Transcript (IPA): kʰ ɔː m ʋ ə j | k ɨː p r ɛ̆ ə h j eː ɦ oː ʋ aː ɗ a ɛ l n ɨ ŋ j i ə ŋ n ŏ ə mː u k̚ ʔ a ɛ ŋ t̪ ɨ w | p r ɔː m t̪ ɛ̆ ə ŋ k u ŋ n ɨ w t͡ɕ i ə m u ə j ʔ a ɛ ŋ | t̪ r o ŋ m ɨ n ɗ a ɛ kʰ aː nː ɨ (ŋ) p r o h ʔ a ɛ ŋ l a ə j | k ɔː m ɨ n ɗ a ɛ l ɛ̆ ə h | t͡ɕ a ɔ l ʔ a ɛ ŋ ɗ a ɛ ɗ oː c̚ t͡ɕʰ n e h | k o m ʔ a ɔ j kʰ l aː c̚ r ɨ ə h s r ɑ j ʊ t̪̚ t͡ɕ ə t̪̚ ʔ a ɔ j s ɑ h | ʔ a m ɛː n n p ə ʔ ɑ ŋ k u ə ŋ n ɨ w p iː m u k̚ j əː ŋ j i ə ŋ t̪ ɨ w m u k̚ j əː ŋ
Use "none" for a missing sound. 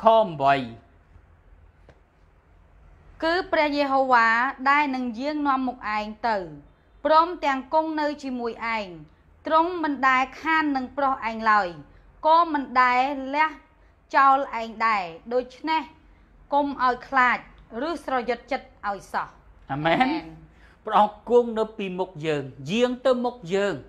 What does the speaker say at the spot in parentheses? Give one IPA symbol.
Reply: ŋ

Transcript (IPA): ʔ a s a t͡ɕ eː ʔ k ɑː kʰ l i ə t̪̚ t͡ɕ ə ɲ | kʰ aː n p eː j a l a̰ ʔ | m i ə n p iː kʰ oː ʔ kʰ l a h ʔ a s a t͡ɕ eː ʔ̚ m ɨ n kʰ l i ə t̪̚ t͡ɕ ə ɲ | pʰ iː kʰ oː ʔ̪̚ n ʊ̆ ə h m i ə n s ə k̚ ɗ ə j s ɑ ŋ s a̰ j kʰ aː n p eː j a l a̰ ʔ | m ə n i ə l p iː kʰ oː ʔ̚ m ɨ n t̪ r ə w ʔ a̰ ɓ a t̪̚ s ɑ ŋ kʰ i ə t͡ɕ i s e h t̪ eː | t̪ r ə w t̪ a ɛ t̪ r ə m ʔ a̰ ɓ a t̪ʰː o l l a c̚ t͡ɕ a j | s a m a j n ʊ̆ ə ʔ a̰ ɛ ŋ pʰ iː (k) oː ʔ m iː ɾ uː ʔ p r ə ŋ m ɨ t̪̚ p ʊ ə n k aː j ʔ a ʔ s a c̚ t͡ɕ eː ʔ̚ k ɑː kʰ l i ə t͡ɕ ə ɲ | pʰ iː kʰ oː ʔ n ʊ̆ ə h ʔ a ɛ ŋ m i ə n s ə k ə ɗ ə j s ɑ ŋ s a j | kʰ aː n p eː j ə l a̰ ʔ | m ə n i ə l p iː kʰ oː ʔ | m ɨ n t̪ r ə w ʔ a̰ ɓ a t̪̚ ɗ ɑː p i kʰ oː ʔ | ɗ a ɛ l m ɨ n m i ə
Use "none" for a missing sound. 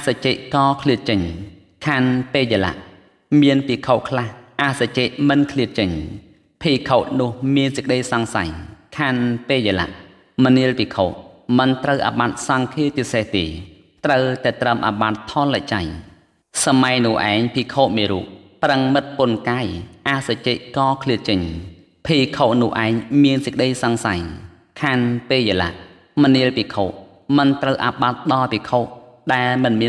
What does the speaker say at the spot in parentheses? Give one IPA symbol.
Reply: kʰ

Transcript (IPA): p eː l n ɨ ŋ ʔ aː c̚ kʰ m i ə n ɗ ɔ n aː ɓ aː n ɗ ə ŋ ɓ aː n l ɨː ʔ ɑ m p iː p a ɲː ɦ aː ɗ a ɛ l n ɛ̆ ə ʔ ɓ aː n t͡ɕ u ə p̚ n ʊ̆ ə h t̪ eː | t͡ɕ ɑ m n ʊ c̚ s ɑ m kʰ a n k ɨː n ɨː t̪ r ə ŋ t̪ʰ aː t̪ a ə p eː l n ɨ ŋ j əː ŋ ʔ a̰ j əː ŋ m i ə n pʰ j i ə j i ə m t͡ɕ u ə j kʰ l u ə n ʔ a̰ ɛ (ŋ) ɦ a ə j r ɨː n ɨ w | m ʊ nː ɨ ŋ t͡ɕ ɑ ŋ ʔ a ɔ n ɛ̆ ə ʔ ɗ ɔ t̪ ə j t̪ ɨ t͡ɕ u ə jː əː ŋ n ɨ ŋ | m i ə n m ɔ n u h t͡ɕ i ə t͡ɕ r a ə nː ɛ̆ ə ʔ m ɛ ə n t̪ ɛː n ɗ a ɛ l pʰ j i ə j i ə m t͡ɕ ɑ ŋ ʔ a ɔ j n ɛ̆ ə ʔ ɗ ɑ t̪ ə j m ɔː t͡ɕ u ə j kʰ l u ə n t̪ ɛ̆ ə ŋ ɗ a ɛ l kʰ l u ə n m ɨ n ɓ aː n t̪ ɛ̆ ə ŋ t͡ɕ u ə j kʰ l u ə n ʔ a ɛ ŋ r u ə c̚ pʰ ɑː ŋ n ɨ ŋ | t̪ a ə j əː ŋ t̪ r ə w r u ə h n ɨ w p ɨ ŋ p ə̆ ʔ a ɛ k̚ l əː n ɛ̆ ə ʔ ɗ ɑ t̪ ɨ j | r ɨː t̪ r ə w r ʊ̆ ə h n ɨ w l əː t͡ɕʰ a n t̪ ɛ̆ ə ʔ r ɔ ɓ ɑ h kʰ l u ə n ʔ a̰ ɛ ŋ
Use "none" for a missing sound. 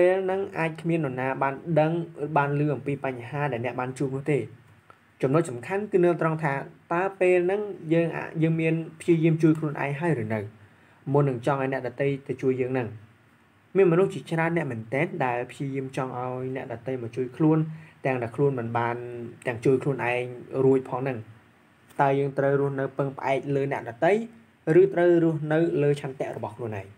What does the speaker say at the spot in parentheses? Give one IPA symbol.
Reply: ŋ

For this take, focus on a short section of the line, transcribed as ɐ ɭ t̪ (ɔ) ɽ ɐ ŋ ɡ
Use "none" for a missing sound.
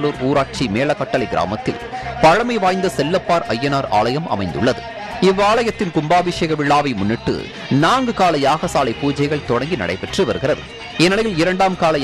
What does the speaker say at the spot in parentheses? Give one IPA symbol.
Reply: ɔ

